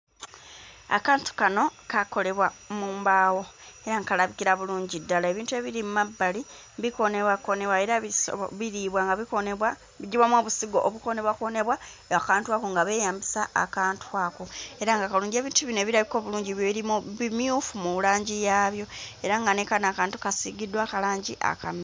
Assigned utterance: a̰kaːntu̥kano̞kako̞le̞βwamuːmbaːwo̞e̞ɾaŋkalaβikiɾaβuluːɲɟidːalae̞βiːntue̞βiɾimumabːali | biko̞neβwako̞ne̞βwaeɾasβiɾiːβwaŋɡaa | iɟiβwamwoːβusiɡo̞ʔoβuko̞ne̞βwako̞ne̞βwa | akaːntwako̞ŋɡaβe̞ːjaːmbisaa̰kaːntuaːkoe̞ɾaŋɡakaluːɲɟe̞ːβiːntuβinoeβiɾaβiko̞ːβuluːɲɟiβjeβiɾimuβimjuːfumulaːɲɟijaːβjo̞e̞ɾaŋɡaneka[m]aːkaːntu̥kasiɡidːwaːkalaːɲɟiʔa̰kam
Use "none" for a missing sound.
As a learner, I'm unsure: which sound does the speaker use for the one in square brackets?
n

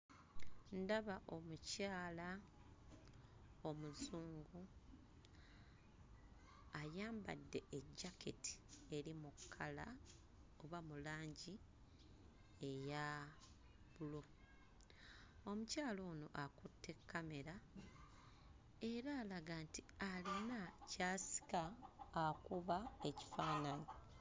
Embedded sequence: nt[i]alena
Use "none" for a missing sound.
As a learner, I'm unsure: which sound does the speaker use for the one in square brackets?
i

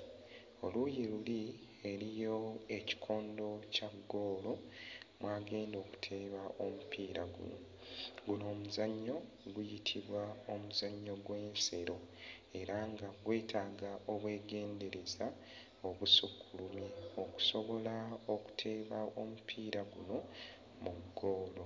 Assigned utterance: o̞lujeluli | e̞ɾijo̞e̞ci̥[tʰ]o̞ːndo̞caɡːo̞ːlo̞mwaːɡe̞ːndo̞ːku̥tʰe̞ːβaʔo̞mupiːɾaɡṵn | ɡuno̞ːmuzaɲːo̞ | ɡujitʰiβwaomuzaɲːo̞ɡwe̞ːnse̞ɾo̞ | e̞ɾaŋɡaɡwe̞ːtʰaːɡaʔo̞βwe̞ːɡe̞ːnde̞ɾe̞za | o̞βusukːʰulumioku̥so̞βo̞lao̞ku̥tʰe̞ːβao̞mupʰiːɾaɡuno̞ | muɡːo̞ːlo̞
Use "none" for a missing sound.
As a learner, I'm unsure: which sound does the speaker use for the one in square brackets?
kʰ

